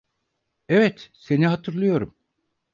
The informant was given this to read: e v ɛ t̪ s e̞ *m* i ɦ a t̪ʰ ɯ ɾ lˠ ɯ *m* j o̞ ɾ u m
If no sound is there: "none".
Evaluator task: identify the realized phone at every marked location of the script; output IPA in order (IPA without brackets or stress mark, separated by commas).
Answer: n, none